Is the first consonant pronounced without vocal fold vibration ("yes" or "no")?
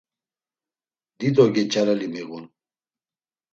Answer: no